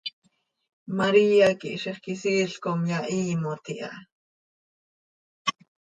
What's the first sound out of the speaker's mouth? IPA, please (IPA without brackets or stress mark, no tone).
m